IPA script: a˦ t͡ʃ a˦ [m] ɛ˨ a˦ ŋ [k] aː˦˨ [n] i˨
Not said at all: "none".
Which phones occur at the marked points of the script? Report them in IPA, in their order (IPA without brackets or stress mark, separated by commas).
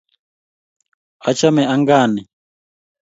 m, ɡ, n